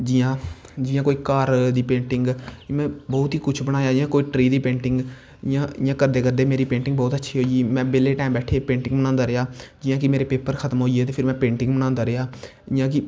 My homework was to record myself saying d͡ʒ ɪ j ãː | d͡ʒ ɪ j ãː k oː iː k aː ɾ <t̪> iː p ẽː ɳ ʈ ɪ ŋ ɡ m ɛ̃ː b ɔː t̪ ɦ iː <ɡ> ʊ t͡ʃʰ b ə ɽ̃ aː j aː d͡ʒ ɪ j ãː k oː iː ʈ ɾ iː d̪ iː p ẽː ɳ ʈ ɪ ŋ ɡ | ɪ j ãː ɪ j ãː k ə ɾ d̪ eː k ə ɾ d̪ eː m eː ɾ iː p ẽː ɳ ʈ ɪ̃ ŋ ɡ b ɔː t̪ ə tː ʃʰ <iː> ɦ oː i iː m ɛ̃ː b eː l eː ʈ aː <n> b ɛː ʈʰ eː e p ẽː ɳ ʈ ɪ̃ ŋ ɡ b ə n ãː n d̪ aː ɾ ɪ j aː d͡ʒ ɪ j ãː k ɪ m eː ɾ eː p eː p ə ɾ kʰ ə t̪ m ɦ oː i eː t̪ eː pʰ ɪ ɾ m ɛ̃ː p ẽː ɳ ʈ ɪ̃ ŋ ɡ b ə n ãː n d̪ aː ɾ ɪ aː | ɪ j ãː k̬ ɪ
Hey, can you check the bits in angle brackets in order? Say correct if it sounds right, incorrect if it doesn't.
incorrect, incorrect, correct, incorrect

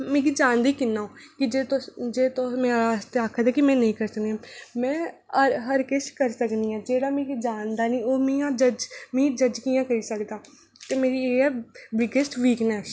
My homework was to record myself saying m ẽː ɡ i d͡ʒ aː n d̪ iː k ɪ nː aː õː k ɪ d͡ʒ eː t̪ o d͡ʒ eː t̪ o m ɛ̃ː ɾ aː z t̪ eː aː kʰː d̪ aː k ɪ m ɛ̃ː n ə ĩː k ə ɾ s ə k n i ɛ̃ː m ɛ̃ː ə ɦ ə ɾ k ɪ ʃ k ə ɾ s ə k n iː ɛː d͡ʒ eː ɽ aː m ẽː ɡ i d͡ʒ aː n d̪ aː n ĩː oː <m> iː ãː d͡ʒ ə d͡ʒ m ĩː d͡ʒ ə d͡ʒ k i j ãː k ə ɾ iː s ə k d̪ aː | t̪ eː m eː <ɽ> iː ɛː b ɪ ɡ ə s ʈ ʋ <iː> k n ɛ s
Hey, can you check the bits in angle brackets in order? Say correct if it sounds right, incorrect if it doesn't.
correct, incorrect, correct

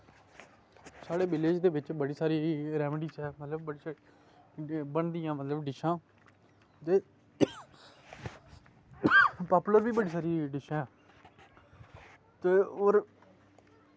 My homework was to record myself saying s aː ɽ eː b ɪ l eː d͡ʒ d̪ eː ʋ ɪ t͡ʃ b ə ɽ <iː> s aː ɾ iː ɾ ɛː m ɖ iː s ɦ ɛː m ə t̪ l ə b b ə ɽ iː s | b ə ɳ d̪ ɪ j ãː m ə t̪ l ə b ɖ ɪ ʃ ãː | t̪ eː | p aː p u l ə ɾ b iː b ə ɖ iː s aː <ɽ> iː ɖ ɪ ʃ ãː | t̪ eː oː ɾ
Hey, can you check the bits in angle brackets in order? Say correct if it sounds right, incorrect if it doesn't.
correct, incorrect

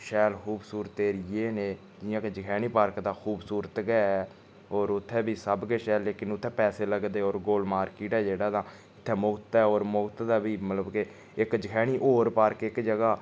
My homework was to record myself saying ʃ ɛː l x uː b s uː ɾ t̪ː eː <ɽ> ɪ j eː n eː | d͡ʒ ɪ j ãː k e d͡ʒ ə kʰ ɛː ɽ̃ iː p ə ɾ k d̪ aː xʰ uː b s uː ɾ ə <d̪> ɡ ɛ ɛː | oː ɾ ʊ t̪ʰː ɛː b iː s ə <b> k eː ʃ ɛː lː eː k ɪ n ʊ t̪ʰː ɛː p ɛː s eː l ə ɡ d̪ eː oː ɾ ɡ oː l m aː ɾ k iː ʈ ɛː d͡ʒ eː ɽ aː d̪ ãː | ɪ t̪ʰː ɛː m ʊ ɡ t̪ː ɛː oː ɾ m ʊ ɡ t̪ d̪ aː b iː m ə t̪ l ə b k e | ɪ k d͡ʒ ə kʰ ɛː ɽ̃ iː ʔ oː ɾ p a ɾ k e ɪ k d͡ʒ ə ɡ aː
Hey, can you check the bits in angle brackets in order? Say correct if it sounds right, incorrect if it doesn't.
incorrect, incorrect, correct

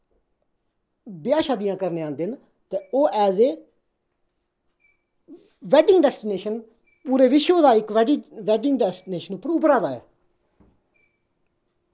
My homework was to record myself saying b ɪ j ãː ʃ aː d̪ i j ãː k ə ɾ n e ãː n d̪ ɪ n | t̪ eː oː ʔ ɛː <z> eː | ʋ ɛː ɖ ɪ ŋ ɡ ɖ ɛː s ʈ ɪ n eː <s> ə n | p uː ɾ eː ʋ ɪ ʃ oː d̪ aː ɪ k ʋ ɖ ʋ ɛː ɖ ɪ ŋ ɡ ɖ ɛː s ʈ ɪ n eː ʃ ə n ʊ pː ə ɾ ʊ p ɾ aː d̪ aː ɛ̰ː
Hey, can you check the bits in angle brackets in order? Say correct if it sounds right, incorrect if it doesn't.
correct, incorrect

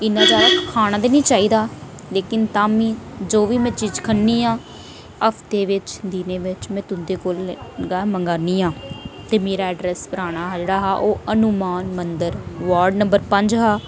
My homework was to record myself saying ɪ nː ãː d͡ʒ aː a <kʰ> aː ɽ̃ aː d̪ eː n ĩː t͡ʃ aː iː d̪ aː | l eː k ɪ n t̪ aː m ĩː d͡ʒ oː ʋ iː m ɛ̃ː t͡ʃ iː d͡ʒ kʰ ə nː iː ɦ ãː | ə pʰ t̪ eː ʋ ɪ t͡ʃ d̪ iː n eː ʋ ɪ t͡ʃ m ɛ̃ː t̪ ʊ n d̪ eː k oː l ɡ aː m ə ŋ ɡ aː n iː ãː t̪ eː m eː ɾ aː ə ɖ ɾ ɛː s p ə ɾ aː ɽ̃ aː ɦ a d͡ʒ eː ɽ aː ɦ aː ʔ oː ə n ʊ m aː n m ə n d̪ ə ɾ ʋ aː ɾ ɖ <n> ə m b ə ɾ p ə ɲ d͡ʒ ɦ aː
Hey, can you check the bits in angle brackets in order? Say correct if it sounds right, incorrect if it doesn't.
correct, correct

